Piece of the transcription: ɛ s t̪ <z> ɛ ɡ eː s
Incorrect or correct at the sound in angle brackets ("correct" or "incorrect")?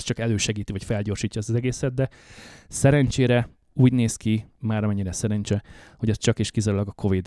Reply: correct